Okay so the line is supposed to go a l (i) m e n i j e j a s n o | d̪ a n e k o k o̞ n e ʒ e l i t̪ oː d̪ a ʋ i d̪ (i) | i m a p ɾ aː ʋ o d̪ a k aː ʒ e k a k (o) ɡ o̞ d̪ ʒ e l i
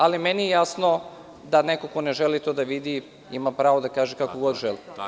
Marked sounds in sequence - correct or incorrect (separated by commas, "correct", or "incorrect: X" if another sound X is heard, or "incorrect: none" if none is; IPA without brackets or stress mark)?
correct, correct, correct